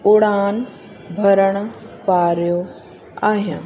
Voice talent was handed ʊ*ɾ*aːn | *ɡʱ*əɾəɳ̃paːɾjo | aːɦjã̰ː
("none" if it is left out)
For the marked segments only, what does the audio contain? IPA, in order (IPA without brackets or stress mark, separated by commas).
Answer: ɽ, bʱ